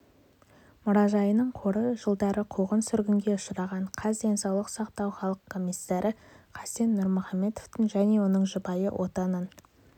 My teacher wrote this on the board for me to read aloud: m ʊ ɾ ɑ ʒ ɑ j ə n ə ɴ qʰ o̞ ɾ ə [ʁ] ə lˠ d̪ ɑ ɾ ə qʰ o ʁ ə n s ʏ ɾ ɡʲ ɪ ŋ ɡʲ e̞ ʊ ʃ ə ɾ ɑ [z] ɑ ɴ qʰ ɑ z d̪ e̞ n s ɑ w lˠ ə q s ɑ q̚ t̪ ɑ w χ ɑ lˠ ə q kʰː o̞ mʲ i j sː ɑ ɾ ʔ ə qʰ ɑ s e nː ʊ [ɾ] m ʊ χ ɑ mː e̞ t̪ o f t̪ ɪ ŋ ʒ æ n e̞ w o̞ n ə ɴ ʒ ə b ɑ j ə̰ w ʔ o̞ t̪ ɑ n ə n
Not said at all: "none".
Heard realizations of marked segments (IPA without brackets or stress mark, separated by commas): ʒ, ʁ, ɾ